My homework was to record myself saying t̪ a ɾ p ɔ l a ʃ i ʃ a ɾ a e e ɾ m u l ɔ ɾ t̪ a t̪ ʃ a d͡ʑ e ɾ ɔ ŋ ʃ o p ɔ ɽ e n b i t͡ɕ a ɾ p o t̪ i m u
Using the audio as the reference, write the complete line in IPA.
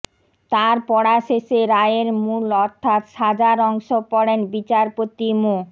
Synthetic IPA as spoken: t̪ a ɾ p ɔ ɽ a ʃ e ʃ e ɾ a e e ɾ m u l ɔ ɾ t̪ʰ a t̪ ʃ a d͡ʑ a ɾ ɔ ŋ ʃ o p ɔ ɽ e n b i t͡ɕ a ɾ p o t̪ i m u